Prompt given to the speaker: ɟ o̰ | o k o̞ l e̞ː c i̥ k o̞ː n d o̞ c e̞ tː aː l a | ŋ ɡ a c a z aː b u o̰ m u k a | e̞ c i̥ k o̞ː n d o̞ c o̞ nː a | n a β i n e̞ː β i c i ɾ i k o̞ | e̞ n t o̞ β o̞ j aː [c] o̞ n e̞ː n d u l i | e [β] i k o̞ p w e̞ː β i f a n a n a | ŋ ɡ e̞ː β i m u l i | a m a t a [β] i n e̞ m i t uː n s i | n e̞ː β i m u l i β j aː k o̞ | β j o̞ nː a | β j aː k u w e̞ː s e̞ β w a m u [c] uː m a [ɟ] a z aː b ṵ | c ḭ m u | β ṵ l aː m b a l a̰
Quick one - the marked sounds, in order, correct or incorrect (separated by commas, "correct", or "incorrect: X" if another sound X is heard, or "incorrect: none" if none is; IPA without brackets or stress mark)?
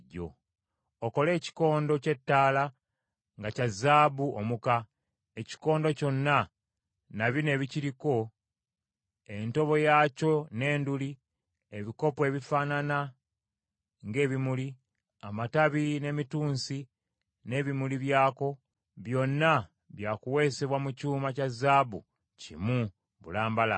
correct, correct, correct, correct, incorrect: c